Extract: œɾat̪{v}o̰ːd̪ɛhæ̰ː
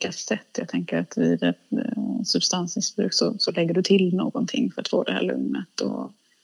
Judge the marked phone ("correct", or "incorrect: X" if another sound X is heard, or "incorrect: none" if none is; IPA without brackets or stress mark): incorrect: f